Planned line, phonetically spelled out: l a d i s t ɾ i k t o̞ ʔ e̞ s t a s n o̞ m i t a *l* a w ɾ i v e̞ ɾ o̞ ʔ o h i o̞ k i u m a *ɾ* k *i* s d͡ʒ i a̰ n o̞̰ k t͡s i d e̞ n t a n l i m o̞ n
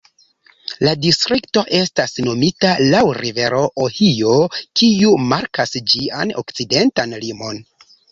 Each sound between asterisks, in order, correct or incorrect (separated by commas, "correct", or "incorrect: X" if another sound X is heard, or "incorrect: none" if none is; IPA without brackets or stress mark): correct, correct, incorrect: a